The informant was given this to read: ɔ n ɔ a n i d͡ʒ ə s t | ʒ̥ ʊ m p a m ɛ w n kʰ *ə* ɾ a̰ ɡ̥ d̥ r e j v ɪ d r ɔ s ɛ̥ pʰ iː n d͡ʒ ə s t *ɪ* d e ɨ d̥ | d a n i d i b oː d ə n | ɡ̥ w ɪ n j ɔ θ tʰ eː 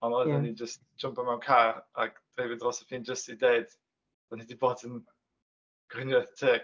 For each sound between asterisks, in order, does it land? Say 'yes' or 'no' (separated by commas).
no, no